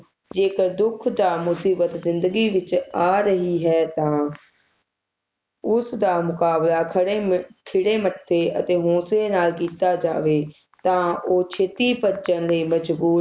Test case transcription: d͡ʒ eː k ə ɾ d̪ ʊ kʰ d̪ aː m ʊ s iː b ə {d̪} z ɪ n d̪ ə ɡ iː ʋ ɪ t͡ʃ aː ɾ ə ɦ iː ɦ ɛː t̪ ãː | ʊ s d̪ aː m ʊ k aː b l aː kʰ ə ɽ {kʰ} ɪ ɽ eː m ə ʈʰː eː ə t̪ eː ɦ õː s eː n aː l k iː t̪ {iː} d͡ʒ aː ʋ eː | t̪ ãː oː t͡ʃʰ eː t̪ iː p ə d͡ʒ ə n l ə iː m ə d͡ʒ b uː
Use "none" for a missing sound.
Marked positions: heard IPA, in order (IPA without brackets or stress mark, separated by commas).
t̪, kʰ, aː